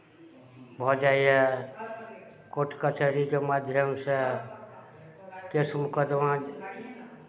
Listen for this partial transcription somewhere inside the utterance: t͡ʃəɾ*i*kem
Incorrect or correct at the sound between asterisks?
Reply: correct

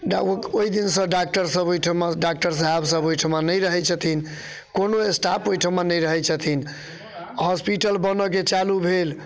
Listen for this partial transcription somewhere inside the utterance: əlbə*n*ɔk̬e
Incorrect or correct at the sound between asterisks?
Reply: correct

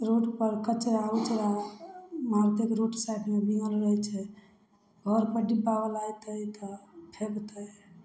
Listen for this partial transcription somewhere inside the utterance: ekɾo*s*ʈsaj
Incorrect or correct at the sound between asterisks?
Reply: incorrect: none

